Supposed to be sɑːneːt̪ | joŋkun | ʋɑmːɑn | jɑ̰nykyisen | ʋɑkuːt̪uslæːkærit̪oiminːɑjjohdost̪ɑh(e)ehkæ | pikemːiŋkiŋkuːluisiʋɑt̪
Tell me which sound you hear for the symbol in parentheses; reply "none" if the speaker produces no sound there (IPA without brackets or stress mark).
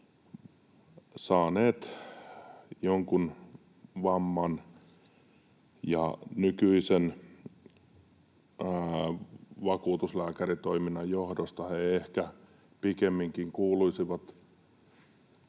e